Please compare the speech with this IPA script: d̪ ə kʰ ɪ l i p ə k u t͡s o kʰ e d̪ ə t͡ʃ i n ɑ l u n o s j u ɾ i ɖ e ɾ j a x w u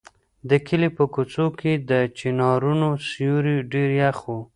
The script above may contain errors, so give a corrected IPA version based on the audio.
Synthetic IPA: d̪ ə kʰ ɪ l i p ə k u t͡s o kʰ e d̪ ə t͡ʃ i n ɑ ɾ u n o s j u ɾ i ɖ e ɾ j a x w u